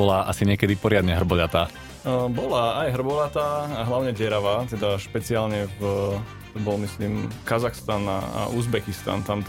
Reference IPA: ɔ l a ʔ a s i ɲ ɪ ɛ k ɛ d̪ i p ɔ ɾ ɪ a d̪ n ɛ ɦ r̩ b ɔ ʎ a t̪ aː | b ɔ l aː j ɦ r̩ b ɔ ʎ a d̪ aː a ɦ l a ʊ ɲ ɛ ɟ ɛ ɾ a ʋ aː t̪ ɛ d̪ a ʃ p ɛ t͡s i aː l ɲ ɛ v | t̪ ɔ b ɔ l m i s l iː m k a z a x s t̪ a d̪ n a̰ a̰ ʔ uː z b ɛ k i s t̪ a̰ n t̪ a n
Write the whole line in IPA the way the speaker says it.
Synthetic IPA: ɔ l a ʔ a s i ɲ ɪ ɛ k ɛ d̪ i p ɔ ɾ ɪ a d̪ ɲ ɛ ɦ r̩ b ɔ ʎ a t̪ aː | b ɔ l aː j ɦ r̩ b ɔ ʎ a t̪ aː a ɦ l a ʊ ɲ ɛ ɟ ɛ ɾ a ʋ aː t̪ ɛ d̪ a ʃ p ɛ t͡s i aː l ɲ ɛ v | t̪ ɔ b ɔ l m i s l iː m k a z a x s t̪ a n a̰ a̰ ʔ u z b ɛ k i s t̪ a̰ n t̪ a n